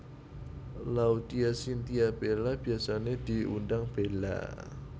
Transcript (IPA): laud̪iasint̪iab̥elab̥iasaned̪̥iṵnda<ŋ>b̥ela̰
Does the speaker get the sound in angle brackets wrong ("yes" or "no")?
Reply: no